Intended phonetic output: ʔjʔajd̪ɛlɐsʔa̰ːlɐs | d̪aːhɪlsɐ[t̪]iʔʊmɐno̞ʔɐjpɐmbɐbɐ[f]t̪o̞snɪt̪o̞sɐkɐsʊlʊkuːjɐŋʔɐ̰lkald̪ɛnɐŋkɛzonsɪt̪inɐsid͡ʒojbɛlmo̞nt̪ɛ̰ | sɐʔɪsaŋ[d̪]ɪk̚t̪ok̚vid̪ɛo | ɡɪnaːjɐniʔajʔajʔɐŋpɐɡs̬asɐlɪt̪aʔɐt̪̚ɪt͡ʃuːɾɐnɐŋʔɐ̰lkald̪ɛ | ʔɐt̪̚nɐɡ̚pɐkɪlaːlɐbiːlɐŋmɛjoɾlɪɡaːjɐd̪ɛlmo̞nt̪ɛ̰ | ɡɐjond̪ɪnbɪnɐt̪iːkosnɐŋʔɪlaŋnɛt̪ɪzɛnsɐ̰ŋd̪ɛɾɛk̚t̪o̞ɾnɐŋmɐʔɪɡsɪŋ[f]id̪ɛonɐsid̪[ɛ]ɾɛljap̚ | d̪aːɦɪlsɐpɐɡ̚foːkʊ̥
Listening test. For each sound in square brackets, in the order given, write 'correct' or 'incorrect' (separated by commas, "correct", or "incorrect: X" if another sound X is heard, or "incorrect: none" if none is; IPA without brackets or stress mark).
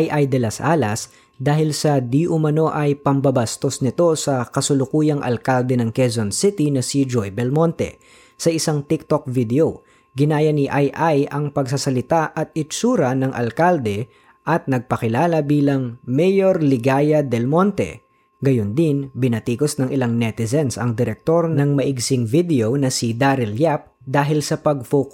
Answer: incorrect: d̪, incorrect: s, incorrect: t̪, incorrect: v, incorrect: a